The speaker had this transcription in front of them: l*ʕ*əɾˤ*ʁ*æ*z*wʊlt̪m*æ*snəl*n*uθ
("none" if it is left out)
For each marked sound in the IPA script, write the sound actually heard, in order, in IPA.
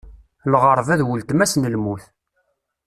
ʁ, v, ð, æ, m

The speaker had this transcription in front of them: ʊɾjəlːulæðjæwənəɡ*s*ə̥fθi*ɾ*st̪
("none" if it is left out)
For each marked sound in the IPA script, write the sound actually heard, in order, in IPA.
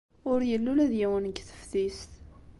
θ, none

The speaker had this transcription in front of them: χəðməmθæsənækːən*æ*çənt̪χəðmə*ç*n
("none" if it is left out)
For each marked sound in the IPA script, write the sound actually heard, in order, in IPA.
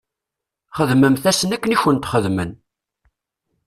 i, none

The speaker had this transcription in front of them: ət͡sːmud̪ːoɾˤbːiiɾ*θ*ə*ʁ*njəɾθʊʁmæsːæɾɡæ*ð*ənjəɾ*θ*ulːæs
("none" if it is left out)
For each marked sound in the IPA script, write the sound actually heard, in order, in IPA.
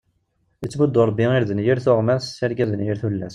ð, none, ð, θ

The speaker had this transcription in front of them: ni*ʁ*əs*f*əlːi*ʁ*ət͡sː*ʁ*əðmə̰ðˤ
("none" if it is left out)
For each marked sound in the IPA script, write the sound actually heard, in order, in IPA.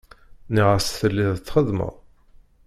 ʁ, θ, ð, χ

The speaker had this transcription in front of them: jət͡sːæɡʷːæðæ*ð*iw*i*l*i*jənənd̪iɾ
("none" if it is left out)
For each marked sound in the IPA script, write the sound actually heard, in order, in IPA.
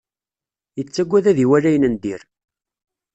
ð, æ, æ

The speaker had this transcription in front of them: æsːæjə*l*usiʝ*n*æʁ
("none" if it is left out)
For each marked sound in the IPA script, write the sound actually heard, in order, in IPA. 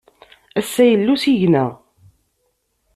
lː, n

